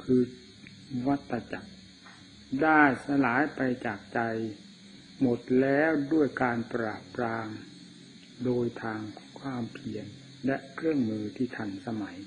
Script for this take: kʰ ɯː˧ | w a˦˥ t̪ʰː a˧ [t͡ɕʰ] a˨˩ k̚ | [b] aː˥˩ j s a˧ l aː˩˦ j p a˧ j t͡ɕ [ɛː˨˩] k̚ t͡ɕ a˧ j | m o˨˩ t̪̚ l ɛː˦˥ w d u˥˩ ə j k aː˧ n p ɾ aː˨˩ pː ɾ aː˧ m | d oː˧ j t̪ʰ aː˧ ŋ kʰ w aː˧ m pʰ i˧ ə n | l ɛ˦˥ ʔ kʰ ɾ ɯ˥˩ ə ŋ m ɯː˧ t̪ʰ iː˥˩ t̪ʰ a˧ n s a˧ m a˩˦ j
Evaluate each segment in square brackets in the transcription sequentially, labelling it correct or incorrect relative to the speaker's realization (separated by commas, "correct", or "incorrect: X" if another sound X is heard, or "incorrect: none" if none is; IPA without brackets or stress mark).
incorrect: t͡ɕ, incorrect: d, incorrect: aː˨˩